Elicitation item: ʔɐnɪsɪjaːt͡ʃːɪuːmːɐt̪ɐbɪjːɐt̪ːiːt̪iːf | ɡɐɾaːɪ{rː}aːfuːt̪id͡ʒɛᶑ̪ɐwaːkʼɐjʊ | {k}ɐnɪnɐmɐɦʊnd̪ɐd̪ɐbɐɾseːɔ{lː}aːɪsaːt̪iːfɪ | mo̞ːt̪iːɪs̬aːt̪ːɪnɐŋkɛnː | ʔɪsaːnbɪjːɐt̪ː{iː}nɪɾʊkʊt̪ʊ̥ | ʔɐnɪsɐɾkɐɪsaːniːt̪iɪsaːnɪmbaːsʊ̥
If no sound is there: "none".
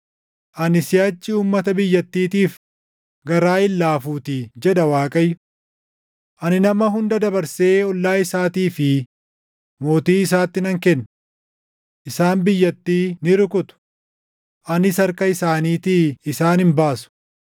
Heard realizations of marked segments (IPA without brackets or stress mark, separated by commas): lː, ʔ, lː, iː